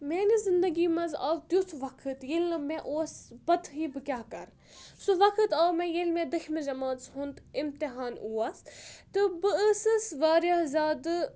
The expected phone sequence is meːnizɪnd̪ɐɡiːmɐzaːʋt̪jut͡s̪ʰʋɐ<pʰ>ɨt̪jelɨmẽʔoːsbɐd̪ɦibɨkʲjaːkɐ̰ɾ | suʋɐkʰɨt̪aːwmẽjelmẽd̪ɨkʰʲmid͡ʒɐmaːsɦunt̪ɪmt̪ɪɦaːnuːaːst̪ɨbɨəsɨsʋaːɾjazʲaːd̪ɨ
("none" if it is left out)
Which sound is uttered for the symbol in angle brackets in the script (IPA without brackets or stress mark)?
kʰ